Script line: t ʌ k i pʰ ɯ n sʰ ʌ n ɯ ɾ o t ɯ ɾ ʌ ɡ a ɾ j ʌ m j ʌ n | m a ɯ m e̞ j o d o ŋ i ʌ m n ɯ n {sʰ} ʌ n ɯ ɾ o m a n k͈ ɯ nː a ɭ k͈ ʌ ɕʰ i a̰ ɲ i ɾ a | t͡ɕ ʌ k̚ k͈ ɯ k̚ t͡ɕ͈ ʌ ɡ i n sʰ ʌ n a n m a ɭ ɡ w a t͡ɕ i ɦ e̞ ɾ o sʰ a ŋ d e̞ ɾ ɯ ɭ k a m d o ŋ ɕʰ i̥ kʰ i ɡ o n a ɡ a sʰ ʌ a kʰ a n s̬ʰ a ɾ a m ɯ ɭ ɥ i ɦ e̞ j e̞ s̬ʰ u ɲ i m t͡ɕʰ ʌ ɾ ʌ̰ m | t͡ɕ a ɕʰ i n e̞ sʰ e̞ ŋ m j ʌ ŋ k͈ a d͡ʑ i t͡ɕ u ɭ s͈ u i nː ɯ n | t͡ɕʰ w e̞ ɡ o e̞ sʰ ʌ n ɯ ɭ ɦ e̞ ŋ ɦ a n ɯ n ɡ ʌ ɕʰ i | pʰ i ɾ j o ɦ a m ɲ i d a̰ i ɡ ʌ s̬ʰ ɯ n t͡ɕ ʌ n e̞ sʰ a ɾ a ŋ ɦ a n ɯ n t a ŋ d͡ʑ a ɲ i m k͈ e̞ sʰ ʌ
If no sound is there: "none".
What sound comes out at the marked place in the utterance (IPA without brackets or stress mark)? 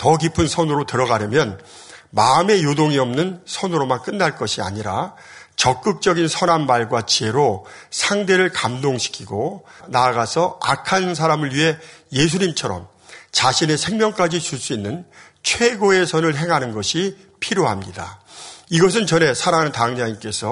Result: sʰ